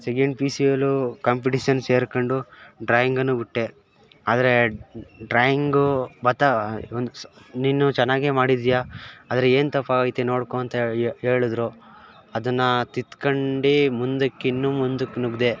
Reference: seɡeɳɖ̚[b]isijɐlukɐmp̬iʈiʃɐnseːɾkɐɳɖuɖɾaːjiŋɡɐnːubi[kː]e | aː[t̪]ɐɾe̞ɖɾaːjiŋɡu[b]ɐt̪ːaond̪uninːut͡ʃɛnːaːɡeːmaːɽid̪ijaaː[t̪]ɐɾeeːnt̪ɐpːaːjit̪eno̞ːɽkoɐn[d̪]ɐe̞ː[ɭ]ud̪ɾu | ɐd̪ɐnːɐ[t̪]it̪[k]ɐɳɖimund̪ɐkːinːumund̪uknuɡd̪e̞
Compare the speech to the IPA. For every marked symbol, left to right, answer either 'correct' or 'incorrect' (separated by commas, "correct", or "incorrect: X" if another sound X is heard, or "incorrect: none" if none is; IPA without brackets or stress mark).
incorrect: p, incorrect: ʈː, incorrect: d̪, correct, incorrect: d̪, incorrect: t̪, correct, correct, correct